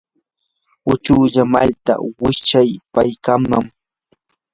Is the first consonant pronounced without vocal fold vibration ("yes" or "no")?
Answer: yes